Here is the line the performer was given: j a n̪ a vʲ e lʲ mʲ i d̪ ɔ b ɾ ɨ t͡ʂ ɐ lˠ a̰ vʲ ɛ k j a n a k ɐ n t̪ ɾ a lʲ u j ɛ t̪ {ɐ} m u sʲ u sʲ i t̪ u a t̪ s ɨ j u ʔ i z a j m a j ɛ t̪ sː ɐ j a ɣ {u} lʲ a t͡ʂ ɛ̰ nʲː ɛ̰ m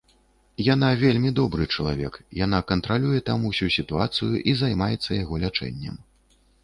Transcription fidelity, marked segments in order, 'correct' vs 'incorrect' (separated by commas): incorrect, incorrect